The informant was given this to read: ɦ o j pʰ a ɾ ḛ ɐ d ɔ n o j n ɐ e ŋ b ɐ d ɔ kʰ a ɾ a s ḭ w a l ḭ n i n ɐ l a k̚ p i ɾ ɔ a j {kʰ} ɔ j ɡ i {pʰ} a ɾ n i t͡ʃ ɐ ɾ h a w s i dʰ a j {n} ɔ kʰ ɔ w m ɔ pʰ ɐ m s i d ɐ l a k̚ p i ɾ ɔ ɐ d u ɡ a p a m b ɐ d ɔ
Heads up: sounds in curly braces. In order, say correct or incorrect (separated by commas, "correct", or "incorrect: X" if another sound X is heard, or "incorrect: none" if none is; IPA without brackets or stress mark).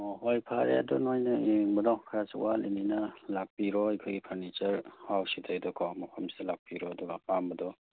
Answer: correct, correct, incorrect: d